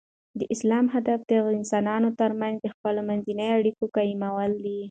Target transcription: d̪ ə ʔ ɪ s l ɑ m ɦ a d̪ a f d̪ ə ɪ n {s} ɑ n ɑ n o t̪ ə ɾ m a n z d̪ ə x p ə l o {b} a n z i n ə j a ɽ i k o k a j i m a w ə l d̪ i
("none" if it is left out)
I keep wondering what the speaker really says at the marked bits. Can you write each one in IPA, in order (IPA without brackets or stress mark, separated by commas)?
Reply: s, m